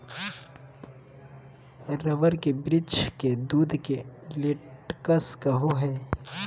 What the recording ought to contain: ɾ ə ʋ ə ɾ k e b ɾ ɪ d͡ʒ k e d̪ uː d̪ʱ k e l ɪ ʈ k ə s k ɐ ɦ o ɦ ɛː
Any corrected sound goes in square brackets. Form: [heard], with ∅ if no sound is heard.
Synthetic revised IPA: ɾ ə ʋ ə ɾ k e b ɾ ɪ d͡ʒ k e d̪ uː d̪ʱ k e l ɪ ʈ k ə s k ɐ ɦ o ɦ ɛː